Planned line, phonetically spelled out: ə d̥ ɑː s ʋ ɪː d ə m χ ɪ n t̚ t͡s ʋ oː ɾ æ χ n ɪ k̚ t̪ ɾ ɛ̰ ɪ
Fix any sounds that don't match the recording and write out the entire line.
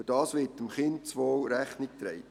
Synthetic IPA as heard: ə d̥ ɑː s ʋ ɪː t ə m χ ɪ n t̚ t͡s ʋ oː ɾ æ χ n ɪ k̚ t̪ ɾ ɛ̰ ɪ